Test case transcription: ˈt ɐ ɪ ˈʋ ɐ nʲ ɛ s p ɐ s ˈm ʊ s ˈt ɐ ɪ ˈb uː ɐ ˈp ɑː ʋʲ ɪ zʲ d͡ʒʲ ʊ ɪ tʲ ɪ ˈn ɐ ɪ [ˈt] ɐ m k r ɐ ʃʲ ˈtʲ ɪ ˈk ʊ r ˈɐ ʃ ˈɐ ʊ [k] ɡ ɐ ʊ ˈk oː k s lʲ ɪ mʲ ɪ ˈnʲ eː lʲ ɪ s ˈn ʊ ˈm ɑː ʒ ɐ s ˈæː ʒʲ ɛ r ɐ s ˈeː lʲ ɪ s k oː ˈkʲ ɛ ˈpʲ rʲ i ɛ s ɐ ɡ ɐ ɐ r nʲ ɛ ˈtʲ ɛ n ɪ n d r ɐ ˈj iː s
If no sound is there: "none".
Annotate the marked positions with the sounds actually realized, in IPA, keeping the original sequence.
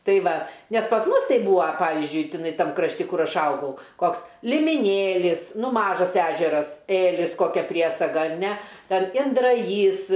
t, none

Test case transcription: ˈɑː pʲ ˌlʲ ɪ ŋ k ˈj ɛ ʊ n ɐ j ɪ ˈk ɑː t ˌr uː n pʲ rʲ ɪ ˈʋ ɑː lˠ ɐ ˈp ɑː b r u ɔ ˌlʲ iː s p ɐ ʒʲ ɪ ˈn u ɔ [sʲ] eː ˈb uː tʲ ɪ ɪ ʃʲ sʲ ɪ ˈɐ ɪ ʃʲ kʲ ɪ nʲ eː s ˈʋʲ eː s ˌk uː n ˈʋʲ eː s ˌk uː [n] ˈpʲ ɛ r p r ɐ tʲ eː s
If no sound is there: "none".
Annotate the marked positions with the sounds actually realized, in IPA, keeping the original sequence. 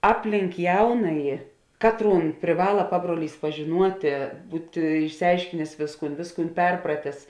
tʲ, n

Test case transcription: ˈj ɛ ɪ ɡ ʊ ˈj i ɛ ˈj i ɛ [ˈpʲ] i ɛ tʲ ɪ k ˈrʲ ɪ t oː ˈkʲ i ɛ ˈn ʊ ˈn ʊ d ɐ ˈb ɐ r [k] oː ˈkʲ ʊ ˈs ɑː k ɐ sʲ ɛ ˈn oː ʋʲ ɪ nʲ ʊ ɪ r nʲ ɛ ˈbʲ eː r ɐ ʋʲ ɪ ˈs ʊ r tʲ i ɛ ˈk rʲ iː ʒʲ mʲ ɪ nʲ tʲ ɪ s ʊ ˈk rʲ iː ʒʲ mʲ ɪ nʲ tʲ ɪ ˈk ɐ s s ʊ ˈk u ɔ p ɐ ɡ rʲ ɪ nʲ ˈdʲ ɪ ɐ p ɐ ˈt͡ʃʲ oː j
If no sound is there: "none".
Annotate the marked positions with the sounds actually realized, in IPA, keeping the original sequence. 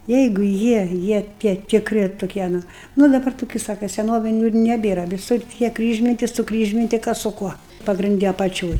tʲ, t

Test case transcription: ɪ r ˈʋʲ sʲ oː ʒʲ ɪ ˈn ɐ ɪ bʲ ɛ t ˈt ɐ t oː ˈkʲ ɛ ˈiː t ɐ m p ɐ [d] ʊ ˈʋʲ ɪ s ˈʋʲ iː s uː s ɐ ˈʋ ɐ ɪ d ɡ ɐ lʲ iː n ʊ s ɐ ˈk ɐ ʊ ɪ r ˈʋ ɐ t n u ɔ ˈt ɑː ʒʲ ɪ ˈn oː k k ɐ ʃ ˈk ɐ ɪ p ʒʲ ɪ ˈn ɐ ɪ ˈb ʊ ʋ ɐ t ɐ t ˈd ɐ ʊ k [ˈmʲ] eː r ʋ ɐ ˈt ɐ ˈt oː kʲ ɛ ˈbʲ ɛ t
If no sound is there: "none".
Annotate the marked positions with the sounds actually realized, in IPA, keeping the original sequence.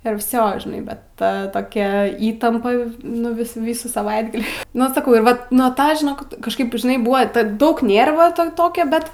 n, nʲ

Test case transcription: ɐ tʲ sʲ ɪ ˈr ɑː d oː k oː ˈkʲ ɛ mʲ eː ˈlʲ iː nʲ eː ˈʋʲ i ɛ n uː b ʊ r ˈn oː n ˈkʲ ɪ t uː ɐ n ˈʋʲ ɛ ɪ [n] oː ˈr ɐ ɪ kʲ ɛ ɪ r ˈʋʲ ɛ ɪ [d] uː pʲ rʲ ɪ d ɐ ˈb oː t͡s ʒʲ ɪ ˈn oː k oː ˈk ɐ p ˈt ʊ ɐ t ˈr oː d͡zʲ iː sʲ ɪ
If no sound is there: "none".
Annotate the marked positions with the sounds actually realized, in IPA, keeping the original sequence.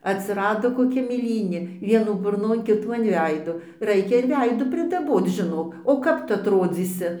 d, d

